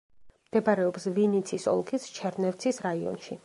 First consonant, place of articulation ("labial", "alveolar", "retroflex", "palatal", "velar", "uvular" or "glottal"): labial